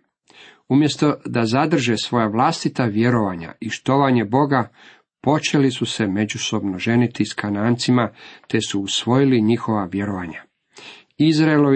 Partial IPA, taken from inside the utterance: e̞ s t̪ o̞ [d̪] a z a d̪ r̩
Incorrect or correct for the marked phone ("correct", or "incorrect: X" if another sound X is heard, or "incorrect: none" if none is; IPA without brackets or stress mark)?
correct